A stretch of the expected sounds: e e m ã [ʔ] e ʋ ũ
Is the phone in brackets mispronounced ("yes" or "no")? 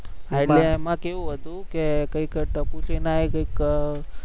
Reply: yes